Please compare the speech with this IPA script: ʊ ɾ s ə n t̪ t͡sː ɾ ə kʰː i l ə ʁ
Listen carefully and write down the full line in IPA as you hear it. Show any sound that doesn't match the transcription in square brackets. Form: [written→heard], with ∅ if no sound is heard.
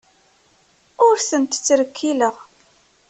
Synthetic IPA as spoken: ʊ ɾ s ə n t̪ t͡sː ɾ ə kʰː i l ə ʁ

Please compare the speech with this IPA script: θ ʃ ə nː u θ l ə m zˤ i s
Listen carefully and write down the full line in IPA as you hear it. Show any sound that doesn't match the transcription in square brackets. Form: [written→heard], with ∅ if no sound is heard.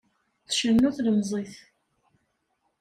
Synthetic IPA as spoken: θ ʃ ə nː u θ l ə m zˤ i [s→θ]

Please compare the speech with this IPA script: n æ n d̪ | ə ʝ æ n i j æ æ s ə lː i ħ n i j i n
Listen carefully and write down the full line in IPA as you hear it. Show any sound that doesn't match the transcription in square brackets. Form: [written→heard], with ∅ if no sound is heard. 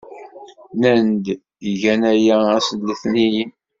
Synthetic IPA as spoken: n æ n d̪ | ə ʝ æ n [i→æ] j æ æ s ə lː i [ħ→θ] n i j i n

